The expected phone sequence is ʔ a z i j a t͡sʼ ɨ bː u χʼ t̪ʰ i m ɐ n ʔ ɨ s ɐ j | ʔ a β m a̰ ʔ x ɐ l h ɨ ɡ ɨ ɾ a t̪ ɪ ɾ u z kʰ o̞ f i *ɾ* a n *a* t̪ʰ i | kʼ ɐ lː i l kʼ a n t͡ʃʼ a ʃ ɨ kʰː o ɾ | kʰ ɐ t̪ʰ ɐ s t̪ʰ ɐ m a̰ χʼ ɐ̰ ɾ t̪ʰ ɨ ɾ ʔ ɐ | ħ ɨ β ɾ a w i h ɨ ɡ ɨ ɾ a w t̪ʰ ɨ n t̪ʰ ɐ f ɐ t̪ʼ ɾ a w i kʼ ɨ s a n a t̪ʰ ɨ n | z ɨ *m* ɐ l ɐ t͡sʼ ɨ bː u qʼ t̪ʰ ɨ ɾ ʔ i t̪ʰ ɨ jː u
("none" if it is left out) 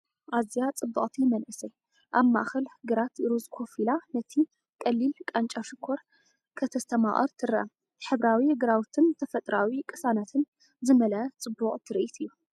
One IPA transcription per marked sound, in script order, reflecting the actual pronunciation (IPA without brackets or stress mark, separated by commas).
l, ɐ, m